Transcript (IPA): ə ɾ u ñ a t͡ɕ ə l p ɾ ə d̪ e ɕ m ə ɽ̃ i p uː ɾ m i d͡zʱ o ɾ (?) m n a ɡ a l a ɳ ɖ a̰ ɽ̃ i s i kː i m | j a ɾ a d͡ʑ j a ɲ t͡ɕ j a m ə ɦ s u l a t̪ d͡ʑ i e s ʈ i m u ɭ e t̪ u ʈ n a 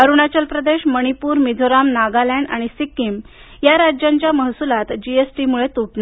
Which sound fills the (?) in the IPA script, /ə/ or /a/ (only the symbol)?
a